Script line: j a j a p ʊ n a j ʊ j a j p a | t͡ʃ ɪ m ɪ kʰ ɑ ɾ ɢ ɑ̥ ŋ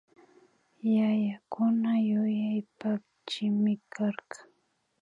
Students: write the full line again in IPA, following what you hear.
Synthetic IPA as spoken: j a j a k ʊ n a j ʊ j a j p a | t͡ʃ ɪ m ɪ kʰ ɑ ɾ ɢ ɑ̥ ŋ